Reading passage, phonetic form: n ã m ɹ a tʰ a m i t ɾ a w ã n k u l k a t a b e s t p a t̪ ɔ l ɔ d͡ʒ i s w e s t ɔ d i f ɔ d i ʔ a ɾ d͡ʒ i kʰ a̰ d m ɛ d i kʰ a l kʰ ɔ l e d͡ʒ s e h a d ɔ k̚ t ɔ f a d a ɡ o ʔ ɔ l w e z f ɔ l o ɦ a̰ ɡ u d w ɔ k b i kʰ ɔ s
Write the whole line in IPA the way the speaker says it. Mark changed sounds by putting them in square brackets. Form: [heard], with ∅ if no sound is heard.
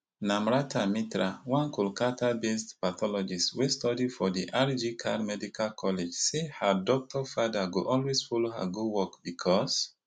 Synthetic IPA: n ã m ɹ a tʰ a m i t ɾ a w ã n k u l k a t a b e s t p a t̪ ɔ l ɔ d͡ʒ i s w e s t ɔ d i f ɔ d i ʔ a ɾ d͡ʒ i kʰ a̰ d m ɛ d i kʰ a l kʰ ɔ l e d͡ʒ s e h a d ɔ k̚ t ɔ f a d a ɡ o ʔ ɔ l w e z f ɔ l o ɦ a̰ ɡ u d w ɔ k b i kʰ ɔ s